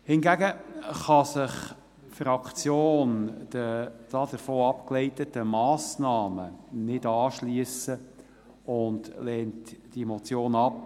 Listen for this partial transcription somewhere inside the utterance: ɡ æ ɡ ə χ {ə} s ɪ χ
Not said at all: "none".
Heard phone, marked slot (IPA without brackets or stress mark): ɑ